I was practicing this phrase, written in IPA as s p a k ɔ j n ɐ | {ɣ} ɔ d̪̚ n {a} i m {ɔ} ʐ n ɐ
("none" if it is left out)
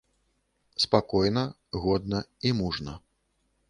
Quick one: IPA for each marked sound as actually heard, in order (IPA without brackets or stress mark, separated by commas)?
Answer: ɣ, ɐ, u